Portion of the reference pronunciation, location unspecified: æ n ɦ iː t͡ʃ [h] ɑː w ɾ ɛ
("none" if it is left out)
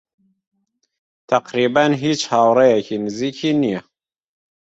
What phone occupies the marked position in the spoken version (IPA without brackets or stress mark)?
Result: h